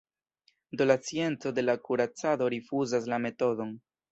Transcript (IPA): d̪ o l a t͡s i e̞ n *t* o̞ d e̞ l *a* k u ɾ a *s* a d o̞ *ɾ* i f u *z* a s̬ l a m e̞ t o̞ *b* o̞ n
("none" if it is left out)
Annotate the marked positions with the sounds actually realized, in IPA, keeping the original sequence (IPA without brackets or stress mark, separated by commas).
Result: t͡s, a, t͡s, ɾ, z, d